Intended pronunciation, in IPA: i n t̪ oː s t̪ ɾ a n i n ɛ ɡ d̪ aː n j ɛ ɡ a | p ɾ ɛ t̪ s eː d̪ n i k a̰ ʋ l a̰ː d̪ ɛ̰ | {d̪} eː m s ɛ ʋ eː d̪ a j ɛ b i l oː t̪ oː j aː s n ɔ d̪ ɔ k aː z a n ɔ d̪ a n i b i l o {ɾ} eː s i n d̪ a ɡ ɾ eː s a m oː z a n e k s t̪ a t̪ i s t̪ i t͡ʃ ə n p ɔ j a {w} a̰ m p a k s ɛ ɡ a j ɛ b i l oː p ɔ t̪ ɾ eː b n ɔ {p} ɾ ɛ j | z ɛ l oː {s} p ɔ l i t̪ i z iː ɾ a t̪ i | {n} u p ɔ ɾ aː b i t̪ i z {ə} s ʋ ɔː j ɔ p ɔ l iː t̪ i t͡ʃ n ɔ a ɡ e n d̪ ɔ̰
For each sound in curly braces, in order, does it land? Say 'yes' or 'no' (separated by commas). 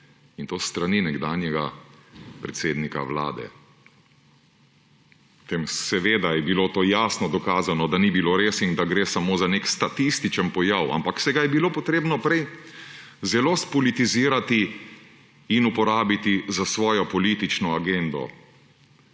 no, yes, yes, yes, yes, yes, no